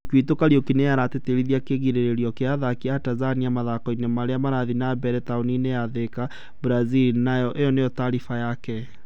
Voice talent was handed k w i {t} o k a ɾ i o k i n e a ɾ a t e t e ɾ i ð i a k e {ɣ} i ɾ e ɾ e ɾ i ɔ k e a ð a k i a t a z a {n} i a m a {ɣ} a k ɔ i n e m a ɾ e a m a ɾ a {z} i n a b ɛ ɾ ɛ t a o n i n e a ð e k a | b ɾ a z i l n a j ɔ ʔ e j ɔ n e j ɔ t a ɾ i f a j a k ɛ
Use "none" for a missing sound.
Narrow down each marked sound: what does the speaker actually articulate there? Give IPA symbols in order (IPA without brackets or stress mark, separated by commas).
t, ɣ, n, ð, ð